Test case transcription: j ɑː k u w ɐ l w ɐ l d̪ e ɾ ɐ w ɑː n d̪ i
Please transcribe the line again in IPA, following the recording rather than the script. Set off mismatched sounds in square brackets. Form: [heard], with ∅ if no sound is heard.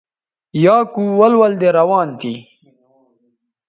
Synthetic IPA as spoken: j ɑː k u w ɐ l w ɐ l d̪ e ɾ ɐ w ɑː n [t̪] i